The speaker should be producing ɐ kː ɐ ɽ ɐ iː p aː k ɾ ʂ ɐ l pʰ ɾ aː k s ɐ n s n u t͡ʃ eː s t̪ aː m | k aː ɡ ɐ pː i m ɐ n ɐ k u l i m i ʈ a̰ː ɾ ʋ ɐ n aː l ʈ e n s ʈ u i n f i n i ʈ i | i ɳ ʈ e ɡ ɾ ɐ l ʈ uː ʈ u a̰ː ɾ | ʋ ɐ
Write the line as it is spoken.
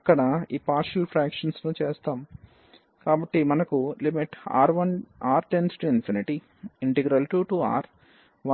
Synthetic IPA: ɐ kː ɐ ɽ ɐ iː p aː ɾ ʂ ɐ l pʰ ɾ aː k ʂ ɐ n s n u t͡ʃ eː s t̪ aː m | k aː b ɐ ʈː i m ɐ n ɐ k u l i m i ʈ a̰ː ɾ ʋ ɐ n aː ɾ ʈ e n s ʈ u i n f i n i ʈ i | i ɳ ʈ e ɡ ɾ ɐ l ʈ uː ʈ u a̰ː ɾ | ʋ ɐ